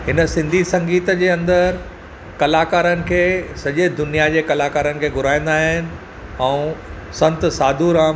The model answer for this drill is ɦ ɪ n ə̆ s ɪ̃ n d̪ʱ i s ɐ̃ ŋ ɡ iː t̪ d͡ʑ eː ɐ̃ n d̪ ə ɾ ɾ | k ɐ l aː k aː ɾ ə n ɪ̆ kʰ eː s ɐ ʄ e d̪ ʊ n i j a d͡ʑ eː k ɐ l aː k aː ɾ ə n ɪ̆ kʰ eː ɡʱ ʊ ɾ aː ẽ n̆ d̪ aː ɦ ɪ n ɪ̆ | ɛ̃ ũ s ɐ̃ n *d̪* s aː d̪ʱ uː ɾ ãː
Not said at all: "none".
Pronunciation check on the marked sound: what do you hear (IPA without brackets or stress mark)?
t̪